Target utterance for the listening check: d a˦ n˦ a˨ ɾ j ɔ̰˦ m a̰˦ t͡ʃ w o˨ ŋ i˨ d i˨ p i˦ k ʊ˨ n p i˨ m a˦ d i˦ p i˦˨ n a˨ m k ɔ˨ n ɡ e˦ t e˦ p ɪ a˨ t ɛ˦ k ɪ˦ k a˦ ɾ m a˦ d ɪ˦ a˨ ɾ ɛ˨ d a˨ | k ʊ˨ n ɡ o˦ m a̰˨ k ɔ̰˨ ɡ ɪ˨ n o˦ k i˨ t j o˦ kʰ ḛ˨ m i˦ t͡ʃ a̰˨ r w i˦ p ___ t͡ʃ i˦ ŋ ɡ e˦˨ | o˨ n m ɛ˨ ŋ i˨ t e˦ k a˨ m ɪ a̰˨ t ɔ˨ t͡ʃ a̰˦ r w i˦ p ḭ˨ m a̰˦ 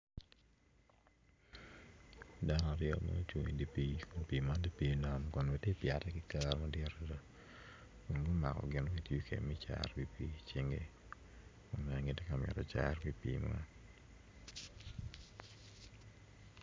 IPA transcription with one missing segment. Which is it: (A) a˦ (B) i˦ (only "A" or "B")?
B